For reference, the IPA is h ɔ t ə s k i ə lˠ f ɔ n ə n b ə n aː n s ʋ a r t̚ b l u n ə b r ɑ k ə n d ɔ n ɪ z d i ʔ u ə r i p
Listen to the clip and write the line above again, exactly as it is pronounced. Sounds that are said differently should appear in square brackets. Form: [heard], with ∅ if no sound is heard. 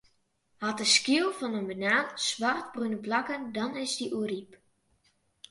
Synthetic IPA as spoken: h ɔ t ə s k i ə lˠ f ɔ n ə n b ə n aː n s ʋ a r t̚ b [r] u n ə b [l] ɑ k ə n d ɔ n ɪ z d i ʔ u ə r i p

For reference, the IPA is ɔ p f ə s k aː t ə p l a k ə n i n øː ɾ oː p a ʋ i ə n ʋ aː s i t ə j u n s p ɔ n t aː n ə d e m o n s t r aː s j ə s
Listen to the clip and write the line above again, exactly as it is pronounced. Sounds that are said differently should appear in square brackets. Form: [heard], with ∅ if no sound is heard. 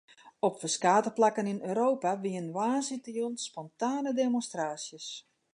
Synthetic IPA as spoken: ɔ p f ə s k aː t ə p l a k ə n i n øː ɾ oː p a ʋ i ə n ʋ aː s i t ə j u n s p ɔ n t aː n ə d e m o n s t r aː s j ə s

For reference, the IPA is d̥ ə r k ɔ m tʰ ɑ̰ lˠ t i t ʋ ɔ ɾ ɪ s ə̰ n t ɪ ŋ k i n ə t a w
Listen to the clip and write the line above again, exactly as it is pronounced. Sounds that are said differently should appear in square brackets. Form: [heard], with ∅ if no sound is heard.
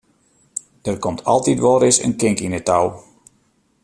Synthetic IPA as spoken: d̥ ə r k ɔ m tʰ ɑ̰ lˠ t i t ʋ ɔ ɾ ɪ s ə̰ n [k] ɪ ŋ k i n ə t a w

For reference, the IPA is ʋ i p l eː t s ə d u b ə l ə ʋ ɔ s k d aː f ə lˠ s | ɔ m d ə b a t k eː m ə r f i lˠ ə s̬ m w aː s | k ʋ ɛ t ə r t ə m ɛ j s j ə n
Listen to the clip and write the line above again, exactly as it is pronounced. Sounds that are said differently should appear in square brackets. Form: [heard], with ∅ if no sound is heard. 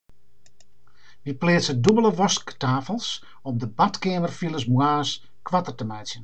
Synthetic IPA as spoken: ʋ i p l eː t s ə d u b ə l ə ʋ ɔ s k [t] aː f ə lˠ s | ɔ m d ə b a t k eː m ə r f i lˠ ə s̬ m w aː s | k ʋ [a] t ə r t ə m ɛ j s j ə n

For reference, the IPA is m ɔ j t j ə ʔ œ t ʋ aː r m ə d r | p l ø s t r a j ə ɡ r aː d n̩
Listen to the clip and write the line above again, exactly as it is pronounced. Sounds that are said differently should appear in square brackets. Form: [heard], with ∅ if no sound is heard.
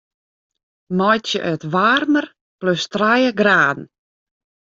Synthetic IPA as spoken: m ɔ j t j ə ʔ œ t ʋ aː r m ə [∅] r | p l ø s t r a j ə ɡ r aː d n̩

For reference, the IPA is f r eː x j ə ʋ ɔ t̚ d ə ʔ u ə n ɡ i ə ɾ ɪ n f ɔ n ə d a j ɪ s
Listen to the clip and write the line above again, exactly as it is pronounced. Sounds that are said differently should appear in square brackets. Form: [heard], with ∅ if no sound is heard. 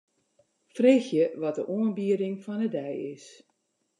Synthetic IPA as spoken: f r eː x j ə ʋ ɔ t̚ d ə ʔ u ə n [b] i ə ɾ ɪ [ŋ] f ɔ n ə d [ɛ] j ɪ s

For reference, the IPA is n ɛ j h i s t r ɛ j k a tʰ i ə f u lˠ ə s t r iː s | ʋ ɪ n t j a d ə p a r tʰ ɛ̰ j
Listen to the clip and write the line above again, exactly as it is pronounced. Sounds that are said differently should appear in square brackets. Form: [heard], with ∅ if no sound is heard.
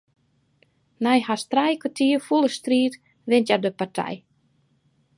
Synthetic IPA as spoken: n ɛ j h [a] s t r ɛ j k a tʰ i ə f u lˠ ə s t r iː [t] | ʋ ɪ n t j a d ə p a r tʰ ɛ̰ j

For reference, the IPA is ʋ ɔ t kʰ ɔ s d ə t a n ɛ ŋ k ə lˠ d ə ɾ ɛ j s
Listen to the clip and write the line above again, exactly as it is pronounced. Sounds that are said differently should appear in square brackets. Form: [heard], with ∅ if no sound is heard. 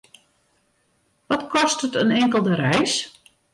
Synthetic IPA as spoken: ʋ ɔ t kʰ ɔ s [t] ə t [ə] n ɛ ŋ k ə lˠ d ə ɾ ɛ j s

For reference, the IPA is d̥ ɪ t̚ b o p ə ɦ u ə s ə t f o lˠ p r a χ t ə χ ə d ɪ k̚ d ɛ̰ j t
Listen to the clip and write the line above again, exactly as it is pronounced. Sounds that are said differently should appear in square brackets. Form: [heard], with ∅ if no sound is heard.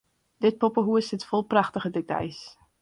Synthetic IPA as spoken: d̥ ɪ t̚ [p] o p ə ɦ u ə s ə t f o lˠ p r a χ t ə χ ə d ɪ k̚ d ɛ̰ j [s]

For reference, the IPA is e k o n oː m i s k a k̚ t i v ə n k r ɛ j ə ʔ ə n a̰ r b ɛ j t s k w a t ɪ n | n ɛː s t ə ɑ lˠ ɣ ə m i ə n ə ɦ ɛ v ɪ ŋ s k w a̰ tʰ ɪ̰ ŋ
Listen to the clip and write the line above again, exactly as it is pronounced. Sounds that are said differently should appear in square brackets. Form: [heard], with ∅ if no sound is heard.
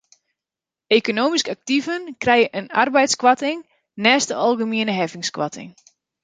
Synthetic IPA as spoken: e k o n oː m i s k a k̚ t i v ə n k r ɛ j ə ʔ ə n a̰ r b ɛ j t s k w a t ɪ [ŋ] | n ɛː s t ə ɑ lˠ ɣ ə m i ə n ə ɦ ɛ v ɪ ŋ s k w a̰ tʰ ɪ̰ ŋ

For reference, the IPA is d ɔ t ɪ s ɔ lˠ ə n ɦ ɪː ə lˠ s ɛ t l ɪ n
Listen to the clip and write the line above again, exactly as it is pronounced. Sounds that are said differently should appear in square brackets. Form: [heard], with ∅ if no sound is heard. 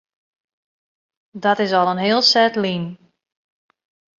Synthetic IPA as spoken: d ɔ t ɪ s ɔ lˠ ə n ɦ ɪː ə lˠ s ɛ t l [i] n

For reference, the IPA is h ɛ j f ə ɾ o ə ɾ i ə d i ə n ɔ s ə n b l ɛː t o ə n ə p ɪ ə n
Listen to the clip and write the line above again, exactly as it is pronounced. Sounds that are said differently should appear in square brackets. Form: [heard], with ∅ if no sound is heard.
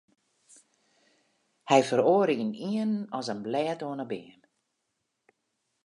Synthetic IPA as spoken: h ɛ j f ə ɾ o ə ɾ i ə [n] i ə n ɔ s ə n b l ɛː t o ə n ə [b] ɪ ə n

